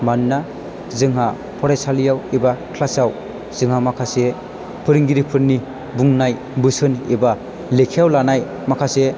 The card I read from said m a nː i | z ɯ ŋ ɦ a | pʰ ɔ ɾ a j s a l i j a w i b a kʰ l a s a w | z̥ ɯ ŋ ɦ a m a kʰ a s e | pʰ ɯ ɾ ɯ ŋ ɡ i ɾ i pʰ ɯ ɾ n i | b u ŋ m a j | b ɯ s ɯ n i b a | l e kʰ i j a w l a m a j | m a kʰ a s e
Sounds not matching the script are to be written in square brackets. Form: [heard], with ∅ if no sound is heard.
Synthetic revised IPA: m a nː [a] | z ɯ ŋ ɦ a | pʰ ɔ ɾ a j s a l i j a w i b a kʰ l a s a w | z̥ ɯ ŋ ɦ a m a kʰ a s e | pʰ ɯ ɾ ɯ ŋ ɡ i ɾ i pʰ ɯ ɾ n i | b u ŋ [n] a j | b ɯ s ɯ n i b a | l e kʰ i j a w l a [n] a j | m a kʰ a s e